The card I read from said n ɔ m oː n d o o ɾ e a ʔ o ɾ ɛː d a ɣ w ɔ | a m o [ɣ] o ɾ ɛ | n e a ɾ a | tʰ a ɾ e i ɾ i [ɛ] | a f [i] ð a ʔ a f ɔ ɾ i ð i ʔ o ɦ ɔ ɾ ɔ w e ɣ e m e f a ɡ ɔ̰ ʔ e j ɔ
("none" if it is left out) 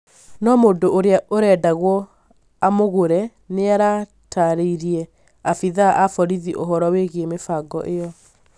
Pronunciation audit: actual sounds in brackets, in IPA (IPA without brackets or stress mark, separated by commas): ɣ, ɛ, i